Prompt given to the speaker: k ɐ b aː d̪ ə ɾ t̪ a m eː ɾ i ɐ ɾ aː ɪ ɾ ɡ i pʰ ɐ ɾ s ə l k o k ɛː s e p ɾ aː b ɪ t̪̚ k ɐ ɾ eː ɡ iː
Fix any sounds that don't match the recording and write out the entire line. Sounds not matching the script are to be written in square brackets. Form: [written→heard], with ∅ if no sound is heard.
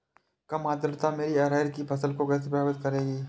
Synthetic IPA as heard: k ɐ [b→m] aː d̪ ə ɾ t̪ a m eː ɾ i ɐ ɾ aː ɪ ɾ [ɡ→k] i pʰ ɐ [ɾ→∅] s ə l k o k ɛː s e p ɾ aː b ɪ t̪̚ k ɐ ɾ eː ɡ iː